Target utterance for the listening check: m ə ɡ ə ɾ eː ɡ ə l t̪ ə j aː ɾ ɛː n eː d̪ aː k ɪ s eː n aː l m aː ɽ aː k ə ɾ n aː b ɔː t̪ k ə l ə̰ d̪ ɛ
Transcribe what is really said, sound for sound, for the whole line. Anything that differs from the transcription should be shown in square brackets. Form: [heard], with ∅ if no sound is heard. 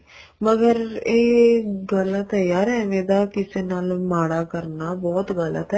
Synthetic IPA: m ə ɡ ə ɾ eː ɡ ə l t̪ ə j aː ɾ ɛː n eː d̪ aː k ɪ s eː n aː l m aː ɽ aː k ə ɾ n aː b ɔː t̪ [ɡ] ə l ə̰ [t̪] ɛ